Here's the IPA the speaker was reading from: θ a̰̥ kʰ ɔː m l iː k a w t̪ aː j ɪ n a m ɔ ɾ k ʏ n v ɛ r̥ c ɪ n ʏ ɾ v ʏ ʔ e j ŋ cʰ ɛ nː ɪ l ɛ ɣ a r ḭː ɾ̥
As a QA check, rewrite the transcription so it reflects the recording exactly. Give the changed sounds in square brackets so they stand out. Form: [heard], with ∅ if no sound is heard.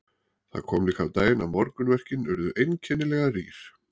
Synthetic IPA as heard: θ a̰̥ kʰ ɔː m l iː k a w t̪ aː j ɪ n a m ɔ ɾ k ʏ n v ɛ r̥ c ɪ n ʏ ɾ [ð] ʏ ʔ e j [n] cʰ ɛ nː ɪ l ɛ ɣ a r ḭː ɾ̥